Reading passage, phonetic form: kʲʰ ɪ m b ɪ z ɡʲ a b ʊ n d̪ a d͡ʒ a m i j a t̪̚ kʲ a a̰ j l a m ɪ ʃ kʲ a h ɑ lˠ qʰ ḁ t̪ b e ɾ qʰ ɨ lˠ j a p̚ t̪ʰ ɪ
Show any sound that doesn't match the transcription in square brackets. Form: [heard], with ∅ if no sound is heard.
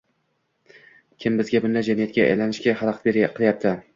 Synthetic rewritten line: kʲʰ ɪ m b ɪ z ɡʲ a b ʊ n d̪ a d͡ʒ a m i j a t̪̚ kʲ a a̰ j l a [n] ɪ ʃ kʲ a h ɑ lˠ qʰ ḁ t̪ b e ɾ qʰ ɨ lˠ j a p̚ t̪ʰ ɪ